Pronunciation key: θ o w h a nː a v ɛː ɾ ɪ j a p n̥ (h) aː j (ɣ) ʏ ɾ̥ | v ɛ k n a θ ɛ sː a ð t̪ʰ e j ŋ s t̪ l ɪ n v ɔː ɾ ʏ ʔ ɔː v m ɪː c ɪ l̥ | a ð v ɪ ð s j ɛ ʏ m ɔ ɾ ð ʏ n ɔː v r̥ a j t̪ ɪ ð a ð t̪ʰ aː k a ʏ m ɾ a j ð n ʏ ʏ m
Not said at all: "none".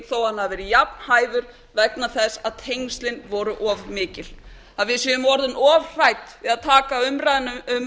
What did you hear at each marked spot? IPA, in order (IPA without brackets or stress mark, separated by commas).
h, ð